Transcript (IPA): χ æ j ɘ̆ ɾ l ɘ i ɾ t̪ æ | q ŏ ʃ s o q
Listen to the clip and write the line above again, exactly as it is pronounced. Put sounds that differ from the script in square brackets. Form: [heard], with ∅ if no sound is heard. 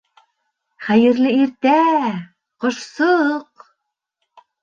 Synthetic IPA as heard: χ æ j ɘ̆ ɾ l ɘ i ɾ t̪ æ | q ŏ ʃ s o q